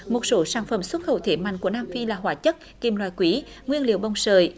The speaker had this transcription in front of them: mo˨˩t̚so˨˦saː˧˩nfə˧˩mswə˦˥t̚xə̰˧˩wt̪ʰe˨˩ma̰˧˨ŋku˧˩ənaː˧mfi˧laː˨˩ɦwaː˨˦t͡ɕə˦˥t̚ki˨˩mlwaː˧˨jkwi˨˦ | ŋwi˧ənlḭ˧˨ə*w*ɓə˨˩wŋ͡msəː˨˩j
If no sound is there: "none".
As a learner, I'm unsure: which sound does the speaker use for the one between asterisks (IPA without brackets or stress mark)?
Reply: w